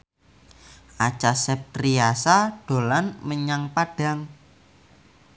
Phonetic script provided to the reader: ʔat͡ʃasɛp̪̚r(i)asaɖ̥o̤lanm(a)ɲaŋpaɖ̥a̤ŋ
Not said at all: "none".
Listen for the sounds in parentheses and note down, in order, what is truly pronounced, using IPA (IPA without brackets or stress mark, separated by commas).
i, ə